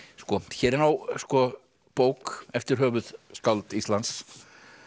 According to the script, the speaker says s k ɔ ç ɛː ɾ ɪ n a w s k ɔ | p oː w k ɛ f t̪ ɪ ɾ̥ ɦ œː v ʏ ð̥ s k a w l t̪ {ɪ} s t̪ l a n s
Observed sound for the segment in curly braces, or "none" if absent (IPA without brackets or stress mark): i